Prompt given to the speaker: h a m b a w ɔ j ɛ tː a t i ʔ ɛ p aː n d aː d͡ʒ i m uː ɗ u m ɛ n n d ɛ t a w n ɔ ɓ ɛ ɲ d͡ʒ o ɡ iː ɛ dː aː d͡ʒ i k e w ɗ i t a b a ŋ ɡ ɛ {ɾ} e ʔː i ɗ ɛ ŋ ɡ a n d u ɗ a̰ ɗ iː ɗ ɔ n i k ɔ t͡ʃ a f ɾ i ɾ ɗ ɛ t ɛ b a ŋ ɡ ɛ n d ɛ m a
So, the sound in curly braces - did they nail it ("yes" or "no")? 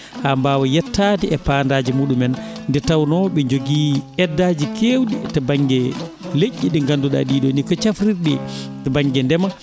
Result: no